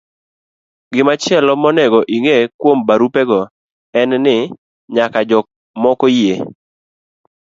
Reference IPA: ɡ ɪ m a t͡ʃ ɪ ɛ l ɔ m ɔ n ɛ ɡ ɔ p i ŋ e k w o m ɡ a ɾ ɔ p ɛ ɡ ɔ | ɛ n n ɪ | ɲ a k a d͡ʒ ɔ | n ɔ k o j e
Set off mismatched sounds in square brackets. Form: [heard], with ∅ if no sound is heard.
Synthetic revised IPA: ɡ ɪ m a t͡ʃ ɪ ɛ l ɔ m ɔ n ɛ ɡ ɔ [ʔ] i ŋ e k w o m [b] a ɾ [u] p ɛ ɡ ɔ | ɛ n n ɪ | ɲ a k a d͡ʒ ɔ | [m] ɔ k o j e